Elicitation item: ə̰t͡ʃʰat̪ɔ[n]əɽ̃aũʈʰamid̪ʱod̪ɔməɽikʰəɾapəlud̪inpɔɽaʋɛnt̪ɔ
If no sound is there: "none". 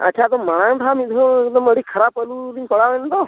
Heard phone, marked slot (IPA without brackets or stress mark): m